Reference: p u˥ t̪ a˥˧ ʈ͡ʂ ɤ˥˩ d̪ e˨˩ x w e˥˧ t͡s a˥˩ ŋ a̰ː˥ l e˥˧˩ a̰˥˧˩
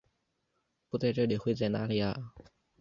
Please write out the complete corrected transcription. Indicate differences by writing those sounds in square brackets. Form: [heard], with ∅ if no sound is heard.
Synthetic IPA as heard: p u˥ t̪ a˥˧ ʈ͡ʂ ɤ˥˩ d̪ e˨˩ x w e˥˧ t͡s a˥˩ [n] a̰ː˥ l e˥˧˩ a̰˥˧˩